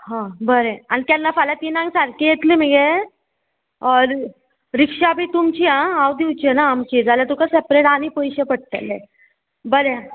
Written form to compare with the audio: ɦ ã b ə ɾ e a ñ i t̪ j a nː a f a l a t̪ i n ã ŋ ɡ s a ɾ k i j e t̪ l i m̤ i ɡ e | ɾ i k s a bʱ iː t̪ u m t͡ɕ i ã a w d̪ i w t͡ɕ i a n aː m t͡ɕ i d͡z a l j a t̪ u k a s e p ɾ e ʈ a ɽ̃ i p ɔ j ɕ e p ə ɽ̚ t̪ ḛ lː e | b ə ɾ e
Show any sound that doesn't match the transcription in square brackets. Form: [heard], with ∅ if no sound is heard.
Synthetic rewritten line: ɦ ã b ə ɾ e a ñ i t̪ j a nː a f a l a t̪ i n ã ŋ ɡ s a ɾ k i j e t̪ l i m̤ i ɡ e | ɾ i k [ʂ] a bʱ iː t̪ u m t͡ɕ i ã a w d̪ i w t͡ɕ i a n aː m t͡ɕ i d͡z a l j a t̪ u k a s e p ɾ e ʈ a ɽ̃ i p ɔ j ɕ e p ə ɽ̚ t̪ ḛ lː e | b ə ɾ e